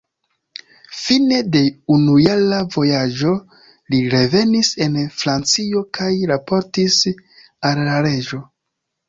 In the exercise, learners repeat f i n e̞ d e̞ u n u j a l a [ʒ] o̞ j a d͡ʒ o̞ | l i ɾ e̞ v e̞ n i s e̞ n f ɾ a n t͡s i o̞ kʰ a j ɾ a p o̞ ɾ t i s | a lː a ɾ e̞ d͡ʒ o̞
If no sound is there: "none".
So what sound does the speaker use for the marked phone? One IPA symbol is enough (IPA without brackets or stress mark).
v